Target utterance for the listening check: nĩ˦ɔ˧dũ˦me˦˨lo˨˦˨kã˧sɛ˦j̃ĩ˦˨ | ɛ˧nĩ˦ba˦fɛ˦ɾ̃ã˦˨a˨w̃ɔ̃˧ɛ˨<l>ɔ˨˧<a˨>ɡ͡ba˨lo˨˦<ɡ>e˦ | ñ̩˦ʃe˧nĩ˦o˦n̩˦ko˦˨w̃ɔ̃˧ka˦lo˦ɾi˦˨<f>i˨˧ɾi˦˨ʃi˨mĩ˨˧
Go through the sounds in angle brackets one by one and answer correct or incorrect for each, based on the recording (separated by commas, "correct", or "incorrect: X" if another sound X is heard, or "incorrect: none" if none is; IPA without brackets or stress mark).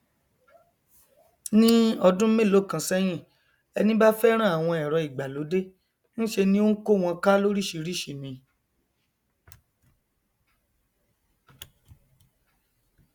incorrect: ɾ, incorrect: i˨, incorrect: d, incorrect: ʃ